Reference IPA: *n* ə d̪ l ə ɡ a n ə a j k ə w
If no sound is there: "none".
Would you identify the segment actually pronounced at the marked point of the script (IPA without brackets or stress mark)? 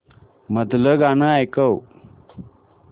m